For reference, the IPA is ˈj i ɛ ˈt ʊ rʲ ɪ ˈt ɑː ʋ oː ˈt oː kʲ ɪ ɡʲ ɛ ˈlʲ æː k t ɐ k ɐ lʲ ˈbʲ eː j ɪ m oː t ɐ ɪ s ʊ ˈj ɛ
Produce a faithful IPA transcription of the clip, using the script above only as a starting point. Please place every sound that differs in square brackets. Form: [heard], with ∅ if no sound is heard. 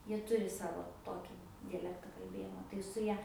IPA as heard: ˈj i ɛ ˈt ʊ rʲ ɪ [ˈs] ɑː ʋ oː ˈt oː kʲ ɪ [dʲ] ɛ ˈlʲ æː k t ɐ k ɐ lʲ ˈbʲ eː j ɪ m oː t ɐ ɪ s ʊ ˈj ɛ